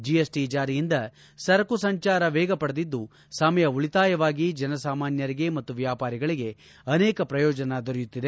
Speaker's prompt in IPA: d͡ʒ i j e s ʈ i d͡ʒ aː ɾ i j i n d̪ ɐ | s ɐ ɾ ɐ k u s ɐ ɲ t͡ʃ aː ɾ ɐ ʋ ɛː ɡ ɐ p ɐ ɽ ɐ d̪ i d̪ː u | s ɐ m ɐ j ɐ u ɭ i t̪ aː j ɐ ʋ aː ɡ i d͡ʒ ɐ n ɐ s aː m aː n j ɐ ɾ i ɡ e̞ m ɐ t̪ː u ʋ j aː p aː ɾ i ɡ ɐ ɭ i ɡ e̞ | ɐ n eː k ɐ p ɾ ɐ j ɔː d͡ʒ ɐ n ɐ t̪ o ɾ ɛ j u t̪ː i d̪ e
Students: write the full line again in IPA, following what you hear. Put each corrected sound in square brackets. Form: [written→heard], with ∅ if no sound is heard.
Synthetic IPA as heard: d͡ʒ i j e s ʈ i d͡ʒ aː ɾ i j i n d̪ ɐ | s ɐ ɾ ɐ k u s ɐ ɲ t͡ʃ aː ɾ ɐ ʋ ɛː ɡ ɐ p ɐ ɽ ɐ d̪ i d̪ː u | s ɐ m ɐ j ɐ u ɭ i t̪ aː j ɐ ʋ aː ɡ i d͡ʒ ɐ n ɐ s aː m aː n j ɐ ɾ i ɡ e̞ m ɐ t̪ː u ʋ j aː p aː ɾ i ɡ ɐ ɭ i ɡ e̞ | ɐ n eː k ɐ p ɾ ɐ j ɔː d͡ʒ ɐ n ɐ [t̪→d̪] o ɾ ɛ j u t̪ː i d̪ e